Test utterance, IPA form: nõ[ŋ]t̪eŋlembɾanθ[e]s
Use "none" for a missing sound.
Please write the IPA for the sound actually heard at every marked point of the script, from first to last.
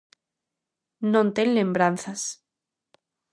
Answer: n, a

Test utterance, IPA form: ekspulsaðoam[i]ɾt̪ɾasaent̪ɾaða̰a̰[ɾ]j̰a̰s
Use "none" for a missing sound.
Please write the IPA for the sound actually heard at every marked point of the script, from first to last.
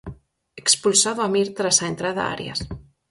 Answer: i, ɾ

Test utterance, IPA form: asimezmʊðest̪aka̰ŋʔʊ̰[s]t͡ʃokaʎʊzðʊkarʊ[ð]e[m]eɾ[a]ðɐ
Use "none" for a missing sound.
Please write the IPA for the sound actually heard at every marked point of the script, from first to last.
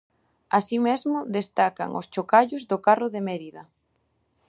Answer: s, ð, m, i

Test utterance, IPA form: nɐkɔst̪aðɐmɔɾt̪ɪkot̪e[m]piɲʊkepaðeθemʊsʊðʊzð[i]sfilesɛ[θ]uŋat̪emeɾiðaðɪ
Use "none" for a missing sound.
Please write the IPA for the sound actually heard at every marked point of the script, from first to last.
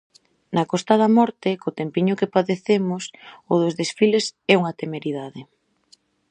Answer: m, e, none

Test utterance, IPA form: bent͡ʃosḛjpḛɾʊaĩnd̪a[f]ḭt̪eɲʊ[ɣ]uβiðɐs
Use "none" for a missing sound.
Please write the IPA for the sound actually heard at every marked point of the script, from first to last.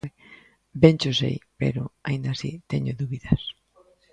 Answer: s, ð

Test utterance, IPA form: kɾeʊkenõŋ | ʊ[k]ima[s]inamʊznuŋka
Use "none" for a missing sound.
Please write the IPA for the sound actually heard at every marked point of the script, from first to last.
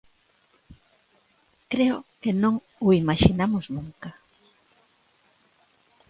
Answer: none, ʃ

